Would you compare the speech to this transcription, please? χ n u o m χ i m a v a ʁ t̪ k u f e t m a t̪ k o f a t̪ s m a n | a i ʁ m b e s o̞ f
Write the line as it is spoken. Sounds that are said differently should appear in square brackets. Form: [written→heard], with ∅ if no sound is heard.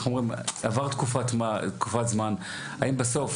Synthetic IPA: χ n u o m [χ→ʁ] i m a v a ʁ t̪ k u f [e→a] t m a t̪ k [o→u] f a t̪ [s→z] m a n | a i [ʁ→∅] m b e s o̞ f